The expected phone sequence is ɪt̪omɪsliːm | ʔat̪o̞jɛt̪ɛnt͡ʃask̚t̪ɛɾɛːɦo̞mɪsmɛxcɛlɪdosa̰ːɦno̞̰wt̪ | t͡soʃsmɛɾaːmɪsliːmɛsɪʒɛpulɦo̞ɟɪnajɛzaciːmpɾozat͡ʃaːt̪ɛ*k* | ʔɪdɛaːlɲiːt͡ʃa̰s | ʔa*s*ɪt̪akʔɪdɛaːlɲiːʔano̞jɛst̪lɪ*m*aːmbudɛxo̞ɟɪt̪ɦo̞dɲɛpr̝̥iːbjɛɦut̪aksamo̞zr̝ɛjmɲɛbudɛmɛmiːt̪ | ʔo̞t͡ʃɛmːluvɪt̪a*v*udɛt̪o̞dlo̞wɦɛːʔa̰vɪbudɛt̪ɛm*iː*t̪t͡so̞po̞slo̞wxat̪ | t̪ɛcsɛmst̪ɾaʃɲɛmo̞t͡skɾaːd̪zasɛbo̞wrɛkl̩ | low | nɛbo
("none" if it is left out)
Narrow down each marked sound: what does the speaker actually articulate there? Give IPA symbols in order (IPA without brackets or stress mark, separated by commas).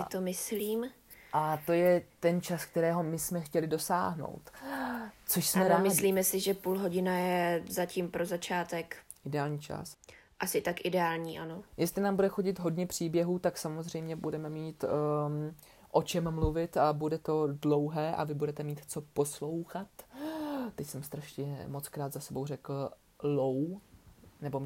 k, s, n, b, iː